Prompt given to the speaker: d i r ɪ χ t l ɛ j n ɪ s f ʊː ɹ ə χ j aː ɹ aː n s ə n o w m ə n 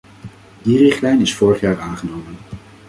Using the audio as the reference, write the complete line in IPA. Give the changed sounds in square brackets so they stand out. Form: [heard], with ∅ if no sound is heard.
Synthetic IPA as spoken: d i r ɪ χ t l ɛ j n ɪ s f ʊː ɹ ə χ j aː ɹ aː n [χ] ə n o w m ə n